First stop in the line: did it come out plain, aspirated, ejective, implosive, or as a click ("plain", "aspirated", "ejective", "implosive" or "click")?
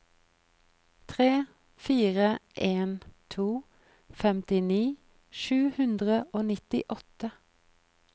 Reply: aspirated